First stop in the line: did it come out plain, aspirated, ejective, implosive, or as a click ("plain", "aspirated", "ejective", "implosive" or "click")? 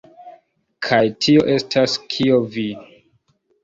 aspirated